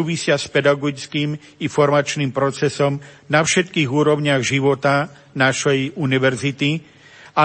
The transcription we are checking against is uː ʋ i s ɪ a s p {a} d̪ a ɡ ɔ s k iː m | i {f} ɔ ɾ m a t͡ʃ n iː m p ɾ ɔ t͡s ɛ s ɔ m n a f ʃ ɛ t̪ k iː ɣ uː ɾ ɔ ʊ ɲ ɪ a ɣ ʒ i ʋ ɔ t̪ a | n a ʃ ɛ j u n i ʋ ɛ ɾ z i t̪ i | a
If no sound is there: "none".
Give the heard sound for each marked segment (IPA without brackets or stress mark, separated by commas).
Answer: ɛ, f